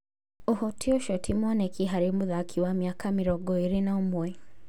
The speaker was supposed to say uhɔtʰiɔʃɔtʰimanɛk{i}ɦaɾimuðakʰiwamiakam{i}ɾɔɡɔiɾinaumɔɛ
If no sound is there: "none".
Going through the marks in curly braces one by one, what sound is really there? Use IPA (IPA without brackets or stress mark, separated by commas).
i, i